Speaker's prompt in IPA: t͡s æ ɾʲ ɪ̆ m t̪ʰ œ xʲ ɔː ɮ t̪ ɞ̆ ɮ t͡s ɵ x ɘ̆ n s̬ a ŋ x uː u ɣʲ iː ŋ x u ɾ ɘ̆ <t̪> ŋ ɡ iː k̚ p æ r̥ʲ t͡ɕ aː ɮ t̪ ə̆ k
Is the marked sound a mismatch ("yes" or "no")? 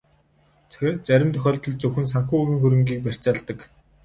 yes